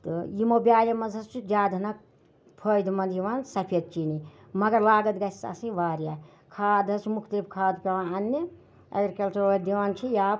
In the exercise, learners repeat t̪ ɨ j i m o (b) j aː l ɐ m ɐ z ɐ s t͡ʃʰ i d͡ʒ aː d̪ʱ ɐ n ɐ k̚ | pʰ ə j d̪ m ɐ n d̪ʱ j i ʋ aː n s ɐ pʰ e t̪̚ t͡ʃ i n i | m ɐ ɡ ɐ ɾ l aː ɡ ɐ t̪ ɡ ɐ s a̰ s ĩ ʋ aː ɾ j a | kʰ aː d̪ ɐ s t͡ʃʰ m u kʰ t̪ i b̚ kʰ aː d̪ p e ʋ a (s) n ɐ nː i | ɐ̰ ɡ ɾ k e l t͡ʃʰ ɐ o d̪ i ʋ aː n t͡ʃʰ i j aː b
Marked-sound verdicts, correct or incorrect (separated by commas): correct, incorrect